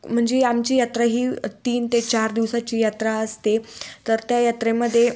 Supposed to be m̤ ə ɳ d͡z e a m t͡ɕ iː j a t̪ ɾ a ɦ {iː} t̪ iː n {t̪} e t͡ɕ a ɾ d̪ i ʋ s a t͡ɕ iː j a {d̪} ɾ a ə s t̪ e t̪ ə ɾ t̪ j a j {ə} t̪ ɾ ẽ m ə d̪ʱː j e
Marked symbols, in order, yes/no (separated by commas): yes, yes, no, no